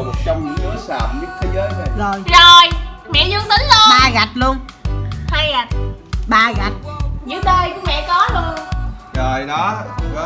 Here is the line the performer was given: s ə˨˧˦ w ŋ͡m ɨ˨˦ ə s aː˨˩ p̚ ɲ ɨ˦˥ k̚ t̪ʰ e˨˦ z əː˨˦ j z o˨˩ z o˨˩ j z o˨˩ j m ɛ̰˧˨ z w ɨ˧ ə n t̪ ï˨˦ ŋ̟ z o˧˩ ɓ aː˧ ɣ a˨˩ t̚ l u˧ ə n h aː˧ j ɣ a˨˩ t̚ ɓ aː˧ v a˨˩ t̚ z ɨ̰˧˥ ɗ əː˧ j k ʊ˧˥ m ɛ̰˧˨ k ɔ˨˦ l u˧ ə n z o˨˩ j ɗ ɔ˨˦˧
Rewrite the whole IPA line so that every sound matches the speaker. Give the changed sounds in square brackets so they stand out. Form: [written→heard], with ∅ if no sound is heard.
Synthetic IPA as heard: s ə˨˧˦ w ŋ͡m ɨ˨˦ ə s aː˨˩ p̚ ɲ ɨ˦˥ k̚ t̪ʰ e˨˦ z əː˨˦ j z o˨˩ z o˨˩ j z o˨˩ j m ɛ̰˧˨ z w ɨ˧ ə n t̪ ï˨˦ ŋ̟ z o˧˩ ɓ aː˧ ɣ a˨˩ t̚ l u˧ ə n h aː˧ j ɣ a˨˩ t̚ ɓ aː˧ [v→ɣ] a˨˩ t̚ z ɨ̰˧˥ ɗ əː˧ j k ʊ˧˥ m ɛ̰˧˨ k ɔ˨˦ l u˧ ə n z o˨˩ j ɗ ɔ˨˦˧

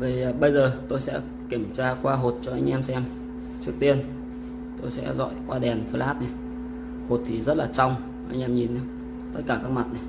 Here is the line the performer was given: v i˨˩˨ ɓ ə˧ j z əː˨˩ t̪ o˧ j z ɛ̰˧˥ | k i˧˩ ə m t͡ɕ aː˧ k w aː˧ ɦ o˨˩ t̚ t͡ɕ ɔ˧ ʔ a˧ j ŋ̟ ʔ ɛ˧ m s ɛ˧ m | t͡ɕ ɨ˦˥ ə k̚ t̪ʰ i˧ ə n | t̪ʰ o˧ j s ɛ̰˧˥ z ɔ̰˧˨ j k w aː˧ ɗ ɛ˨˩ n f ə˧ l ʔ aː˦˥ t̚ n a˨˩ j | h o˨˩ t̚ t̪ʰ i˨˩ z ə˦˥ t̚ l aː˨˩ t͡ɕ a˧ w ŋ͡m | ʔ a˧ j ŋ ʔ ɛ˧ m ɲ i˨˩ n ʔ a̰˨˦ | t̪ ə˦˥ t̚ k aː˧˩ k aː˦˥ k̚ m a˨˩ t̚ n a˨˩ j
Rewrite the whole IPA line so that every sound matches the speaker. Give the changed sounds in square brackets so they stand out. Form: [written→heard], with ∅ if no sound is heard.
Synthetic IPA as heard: v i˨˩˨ ɓ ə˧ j z əː˨˩ t̪ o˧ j [z→s] ɛ̰˧˥ | k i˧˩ ə m t͡ɕ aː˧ k w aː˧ ɦ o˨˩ t̚ t͡ɕ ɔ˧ ʔ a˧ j ŋ̟ ʔ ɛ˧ m s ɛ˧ m | t͡ɕ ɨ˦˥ ə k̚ [t̪ʰ→t̪] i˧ ə n | [t̪ʰ→t̪] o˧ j s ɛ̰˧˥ z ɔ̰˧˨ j k w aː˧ ɗ ɛ˨˩ n f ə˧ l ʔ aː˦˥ t̚ n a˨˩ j | h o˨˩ t̚ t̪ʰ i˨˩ z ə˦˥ t̚ l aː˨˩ t͡ɕ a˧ w ŋ͡m | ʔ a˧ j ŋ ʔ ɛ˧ m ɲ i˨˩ n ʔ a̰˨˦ | t̪ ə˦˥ t̚ k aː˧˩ k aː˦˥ k̚ m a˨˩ t̚ n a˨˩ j

